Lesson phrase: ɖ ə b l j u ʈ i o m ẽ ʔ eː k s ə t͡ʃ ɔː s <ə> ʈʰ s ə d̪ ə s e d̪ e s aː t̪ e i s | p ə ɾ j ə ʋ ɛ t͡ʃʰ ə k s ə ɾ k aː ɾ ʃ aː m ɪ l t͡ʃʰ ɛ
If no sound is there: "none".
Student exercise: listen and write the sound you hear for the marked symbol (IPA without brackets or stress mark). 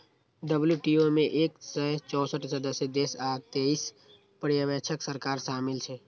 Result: ə